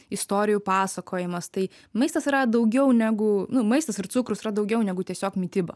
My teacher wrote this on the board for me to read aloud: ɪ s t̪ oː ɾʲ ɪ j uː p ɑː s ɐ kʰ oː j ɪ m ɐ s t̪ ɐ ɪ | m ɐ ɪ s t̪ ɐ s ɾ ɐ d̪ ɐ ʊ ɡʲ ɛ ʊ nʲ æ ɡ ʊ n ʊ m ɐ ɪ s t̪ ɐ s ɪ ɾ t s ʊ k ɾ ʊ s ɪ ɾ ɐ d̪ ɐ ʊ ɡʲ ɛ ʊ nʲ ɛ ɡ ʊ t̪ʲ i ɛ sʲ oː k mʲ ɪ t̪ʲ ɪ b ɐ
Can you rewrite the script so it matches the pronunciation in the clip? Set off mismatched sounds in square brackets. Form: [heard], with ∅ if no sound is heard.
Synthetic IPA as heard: ɪ s t̪ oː ɾʲ ɪ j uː p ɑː s ɐ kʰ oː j ɪ m ɐ s t̪ ɐ ɪ | m ɐ ɪ s t̪ ɐ s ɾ ɐ d̪ ɐ ʊ ɡʲ ɛ ʊ nʲ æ ɡ ʊ n ʊ m ɐ ɪ s t̪ ɐ s ɪ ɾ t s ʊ k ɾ ʊ s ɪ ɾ ɐ d̪ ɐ ʊ ɡʲ ɛ ʊ nʲ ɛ ɡ ʊ t̪ʲ i ɛ sʲ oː k mʲ ɪ t̪ʲ ɪ b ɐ